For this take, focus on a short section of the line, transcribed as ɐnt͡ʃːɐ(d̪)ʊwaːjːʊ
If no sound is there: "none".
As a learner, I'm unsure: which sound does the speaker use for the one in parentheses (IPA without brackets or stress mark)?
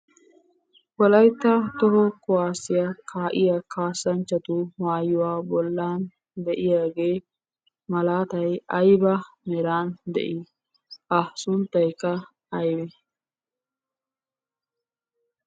t̪